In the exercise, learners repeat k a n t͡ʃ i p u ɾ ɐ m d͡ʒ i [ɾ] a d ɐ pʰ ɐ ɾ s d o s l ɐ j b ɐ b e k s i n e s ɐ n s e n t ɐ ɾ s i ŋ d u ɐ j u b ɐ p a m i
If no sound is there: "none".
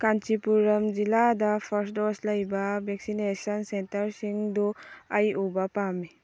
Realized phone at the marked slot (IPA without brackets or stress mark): l